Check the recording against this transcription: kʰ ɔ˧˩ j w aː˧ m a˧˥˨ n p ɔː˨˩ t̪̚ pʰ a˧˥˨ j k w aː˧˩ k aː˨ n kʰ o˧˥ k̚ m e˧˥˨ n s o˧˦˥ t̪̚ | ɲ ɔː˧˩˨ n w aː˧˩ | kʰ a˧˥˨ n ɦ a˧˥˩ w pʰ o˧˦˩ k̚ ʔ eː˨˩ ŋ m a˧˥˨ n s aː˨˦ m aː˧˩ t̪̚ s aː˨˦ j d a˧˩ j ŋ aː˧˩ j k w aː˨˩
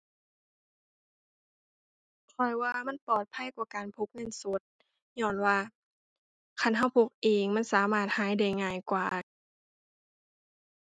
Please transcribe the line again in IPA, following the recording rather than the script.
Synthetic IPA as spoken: kʰ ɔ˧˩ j w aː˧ m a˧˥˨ n p ɔː˨˩ t̪̚ pʰ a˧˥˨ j k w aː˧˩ k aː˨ n pʰ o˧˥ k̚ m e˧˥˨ n s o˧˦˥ t̪̚ | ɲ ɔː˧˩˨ n w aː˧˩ | kʰ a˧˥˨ n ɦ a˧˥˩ w pʰ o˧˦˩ k̚ ʔ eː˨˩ ŋ m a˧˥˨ n s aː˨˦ m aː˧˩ t̪̚ h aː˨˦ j d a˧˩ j ŋ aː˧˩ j k w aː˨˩